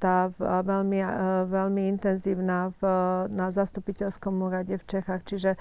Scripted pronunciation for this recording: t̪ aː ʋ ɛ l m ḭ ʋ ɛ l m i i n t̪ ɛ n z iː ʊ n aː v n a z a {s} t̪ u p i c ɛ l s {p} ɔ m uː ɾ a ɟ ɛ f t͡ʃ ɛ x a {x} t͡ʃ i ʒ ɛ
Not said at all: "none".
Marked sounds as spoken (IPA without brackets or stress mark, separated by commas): s, k, x